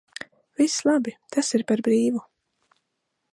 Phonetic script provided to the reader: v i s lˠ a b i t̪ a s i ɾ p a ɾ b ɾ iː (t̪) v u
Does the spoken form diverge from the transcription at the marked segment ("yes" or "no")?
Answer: yes